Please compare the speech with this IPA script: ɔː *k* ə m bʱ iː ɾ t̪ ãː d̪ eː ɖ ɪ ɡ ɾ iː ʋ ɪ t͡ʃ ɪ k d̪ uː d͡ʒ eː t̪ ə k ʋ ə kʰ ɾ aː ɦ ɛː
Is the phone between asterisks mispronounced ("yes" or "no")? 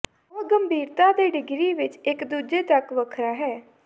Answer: yes